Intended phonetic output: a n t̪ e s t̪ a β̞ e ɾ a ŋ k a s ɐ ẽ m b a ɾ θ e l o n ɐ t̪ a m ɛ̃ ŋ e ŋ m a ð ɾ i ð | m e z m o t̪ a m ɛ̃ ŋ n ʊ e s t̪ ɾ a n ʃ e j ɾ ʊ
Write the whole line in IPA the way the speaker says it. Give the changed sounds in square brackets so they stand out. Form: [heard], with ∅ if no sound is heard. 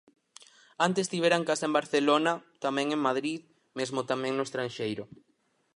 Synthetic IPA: a n t̪ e s t̪ [i] β̞ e ɾ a ŋ k a s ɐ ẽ m b a ɾ θ e l o n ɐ t̪ a m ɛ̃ ŋ e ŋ m a ð ɾ i ð | m e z m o t̪ a m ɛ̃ ŋ n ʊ e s t̪ ɾ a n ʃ e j ɾ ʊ